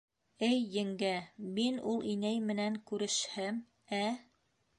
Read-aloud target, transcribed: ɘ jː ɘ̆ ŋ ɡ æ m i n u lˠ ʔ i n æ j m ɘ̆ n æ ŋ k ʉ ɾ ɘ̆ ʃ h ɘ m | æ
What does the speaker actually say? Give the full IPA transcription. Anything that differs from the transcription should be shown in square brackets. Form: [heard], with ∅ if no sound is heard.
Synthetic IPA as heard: ɘ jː ɘ̆ ŋ ɡ æ m i n u lˠ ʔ i n æ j m ɘ̆ n æ ŋ k ʉ ɾ ɘ̆ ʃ h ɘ m | æ